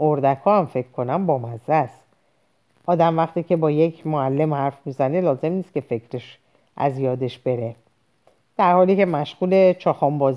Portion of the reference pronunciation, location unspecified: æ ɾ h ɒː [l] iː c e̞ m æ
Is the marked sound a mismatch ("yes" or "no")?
no